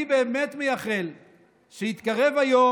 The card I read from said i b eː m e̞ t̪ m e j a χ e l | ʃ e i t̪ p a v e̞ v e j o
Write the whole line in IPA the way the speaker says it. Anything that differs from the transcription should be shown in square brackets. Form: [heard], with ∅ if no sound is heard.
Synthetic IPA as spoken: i b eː m e̞ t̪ m e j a χ e l | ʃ e i t̪ [k] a [ʁ] e̞ v [a] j o

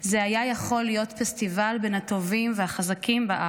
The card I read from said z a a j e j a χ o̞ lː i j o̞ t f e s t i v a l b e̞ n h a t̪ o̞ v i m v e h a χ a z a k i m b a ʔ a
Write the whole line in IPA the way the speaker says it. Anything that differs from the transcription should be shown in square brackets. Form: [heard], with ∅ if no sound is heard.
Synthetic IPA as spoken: z [e] a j [a] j a χ o̞ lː i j o̞ t f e s t i v a l b e̞ n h a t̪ o̞ v i m v e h a χ a z a k i m b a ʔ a

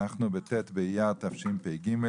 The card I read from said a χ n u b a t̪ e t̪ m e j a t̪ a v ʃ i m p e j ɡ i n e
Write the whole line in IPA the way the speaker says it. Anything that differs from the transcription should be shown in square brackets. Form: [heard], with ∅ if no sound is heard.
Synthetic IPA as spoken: a χ n u b [e] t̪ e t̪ [b] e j a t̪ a [f] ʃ i m p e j ɡ i [m] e

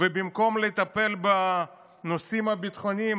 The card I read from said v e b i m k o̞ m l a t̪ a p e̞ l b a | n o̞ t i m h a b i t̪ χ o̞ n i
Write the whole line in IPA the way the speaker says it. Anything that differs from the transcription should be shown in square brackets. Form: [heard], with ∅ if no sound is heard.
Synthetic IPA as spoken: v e b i m k o̞ m l [e] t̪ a p e̞ l b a | n o̞ [s] i m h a b i t̪ χ o̞ n i

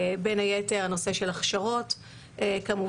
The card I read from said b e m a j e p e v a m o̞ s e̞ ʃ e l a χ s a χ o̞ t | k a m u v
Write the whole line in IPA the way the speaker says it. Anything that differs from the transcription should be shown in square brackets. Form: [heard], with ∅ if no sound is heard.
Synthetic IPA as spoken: b e [n] a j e [t] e [ʁ] a [n] o̞ s e̞ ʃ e l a χ [ʃ] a [ʁ] o̞ t | k a m u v

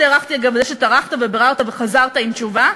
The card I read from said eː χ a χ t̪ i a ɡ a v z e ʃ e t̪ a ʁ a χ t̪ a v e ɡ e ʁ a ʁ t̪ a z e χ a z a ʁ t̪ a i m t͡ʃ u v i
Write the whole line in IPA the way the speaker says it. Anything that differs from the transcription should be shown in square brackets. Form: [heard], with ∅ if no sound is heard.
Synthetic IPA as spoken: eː [ʁ] a χ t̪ i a ɡ a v z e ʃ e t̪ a ʁ a χ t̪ a v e [b] e ʁ a ʁ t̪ a [v] e χ a z a ʁ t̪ a i m t͡ʃ u v [a]

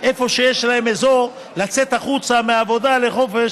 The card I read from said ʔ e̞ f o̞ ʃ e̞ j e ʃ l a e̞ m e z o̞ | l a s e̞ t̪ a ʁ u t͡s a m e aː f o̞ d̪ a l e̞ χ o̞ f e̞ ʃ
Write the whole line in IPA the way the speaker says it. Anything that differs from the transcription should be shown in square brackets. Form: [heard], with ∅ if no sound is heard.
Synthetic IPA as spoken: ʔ e̞ f o̞ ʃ e̞ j e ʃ l a e̞ m e z o̞ | l a [t͡s] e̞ t̪ a [χ] u t͡s a m e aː [v] o̞ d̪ a l e̞ χ o̞ f e̞ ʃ

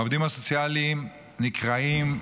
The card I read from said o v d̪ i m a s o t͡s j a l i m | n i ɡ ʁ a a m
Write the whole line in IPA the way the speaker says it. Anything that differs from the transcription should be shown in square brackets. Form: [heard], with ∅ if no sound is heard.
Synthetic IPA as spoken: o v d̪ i m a s o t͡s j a l i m | n i [k] ʁ a [i] m

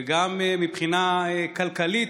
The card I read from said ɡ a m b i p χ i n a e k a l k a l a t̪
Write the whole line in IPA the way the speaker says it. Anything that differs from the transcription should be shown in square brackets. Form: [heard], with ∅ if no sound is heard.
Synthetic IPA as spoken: ɡ a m [m] i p χ i n a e k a l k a l [i] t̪

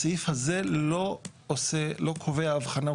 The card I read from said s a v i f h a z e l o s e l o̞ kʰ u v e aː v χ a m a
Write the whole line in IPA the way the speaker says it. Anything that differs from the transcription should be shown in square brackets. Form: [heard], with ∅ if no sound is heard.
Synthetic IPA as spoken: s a [∅] i f h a z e l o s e l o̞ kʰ [o] v e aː v χ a [n] a

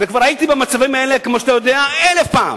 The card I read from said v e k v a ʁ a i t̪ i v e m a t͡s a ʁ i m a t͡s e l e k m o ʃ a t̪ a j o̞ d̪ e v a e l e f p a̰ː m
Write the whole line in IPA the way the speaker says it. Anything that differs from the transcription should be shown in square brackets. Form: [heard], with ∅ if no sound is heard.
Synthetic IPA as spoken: v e k v a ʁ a i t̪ i [b] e m a t͡s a [v] i m a [∅] e l e k m o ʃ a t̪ a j o̞ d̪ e [∅] a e l e f p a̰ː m

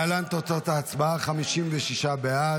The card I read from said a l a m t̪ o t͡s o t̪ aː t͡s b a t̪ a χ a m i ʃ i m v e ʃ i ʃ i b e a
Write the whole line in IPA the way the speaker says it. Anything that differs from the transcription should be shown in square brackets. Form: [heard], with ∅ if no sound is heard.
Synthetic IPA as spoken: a l a [n] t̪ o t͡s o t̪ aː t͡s b a [∅] a χ a m i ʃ i m v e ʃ i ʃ [a] b e a

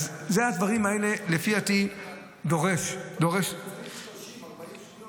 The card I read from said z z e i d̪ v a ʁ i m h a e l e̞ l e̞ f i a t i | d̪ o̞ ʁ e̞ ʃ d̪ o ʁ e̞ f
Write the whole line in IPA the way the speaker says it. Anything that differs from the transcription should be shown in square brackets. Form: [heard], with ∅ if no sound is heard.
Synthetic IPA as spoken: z z e [a] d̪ v a ʁ i m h a e l e̞ l e̞ f i a t i | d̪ o̞ ʁ e̞ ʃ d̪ o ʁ e̞ [ʃ]

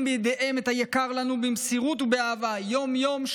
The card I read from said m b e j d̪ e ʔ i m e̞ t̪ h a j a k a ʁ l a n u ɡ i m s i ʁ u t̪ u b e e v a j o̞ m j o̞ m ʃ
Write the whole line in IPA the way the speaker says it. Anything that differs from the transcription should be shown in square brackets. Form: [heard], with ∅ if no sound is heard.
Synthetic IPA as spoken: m b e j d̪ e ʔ [e] m e̞ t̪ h a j a k a ʁ l a n u [b] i m s i ʁ u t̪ u b e [a] v a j o̞ m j o̞ m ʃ

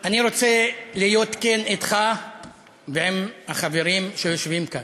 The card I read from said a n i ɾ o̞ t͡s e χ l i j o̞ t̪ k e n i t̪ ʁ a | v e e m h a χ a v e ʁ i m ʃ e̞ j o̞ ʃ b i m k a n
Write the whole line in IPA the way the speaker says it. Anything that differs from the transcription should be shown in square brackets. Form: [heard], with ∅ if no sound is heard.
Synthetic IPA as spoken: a n i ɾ o̞ t͡s e [∅] l i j o̞ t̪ k e n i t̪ [χ] a | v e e m h a χ a v e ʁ i m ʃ e̞ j o̞ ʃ [v] i m k a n

